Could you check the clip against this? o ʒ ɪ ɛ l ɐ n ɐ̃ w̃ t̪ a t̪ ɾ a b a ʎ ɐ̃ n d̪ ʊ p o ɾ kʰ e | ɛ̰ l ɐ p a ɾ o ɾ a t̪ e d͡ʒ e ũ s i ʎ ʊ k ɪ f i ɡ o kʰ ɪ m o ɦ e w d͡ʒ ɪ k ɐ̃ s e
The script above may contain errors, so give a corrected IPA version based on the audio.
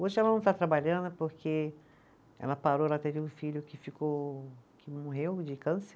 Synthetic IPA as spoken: o ʒ ɪ ɛ l ɐ n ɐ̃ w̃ t̪ a t̪ ɾ a b a ʎ ɐ̃ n d̪ ʊ p o ɾ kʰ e | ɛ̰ l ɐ p a ɾ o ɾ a t̪ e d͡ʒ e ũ f i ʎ ʊ k ɪ f i k o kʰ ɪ m o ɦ e w d͡ʒ ɪ k ɐ̃ s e